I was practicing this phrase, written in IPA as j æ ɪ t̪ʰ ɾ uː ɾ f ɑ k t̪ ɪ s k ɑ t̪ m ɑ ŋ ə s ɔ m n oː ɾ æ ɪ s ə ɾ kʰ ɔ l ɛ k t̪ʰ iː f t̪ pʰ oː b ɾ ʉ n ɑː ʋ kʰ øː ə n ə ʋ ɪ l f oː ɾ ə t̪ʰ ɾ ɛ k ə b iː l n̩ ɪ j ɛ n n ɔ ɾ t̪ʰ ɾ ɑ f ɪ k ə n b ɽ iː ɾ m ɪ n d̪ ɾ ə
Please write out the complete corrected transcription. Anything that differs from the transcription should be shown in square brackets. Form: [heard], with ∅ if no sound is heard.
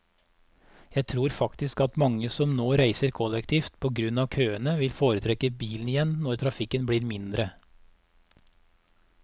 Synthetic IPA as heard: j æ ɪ t̪ʰ ɾ uː ɾ f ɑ k t̪ ɪ s k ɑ t̪ m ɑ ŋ ə s ɔ m n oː ɾ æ ɪ s ə ɾ kʰ ɔ l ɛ k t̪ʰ iː f t̪ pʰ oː [ɡ] ɾ ʉ n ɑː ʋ kʰ øː ə n ə ʋ ɪ l f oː ɾ ə t̪ʰ ɾ ɛ k ə b iː l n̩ ɪ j ɛ n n ɔ ɾ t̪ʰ ɾ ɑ f ɪ k ə n b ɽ iː ɾ m ɪ n d̪ ɾ ə